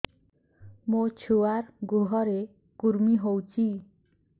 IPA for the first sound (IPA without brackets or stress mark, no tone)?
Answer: m